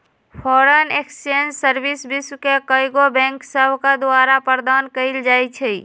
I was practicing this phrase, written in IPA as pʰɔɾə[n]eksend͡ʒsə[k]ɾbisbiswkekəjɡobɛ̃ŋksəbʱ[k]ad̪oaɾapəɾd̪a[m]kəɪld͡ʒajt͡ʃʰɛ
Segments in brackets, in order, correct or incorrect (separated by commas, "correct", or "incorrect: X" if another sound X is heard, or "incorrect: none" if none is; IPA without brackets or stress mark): correct, incorrect: none, correct, incorrect: n